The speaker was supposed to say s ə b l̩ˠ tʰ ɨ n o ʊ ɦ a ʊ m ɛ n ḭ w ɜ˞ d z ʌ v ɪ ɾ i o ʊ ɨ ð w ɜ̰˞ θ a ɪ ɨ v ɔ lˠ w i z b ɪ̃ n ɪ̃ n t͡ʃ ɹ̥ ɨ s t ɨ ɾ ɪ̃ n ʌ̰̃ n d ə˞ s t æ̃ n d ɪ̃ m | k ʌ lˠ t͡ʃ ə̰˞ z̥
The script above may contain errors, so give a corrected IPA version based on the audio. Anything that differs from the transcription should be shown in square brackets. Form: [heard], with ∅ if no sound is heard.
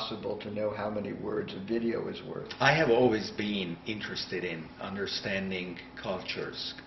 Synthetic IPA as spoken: s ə b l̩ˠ tʰ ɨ n o ʊ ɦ a ʊ m ɛ n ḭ w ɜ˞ d z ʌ v ɪ ɾ i o ʊ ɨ [z] w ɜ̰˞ θ a ɪ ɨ v ɔ lˠ w i z b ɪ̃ n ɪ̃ n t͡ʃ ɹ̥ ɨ s t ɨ ɾ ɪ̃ n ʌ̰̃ n d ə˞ s t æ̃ n d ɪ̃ [ŋ] | [kʰ] ʌ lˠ t͡ʃ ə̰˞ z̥